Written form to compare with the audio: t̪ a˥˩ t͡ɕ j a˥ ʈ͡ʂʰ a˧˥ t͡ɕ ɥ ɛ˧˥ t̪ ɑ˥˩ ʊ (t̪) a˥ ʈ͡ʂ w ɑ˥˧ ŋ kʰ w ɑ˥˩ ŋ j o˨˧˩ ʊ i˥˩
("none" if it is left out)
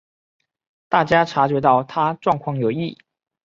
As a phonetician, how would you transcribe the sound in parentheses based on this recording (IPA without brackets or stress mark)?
t̪ʰ